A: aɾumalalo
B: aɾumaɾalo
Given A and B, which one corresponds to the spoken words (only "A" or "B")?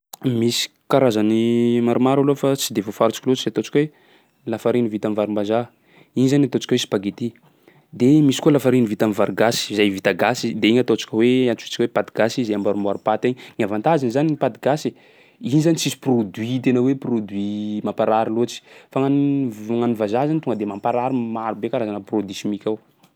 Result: B